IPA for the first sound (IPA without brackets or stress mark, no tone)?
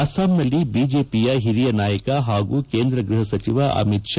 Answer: ɐ